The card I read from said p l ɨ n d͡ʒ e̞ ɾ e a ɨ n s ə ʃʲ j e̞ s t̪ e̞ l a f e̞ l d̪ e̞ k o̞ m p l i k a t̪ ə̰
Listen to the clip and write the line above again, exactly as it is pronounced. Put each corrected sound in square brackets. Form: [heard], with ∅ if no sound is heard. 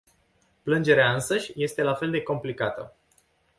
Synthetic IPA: p l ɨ n d͡ʒ e̞ ɾ e a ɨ n s ə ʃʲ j e̞ s t̪ e̞ l a f e̞ l d̪ e̞ k o̞ m p l i k a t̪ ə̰